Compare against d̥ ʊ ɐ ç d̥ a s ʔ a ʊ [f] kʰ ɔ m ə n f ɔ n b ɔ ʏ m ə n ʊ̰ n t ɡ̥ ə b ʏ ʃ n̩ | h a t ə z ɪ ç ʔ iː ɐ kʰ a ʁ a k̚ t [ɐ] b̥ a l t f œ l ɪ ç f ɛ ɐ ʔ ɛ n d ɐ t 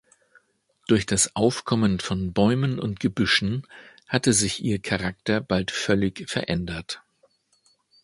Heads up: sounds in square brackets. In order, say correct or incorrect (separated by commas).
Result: correct, correct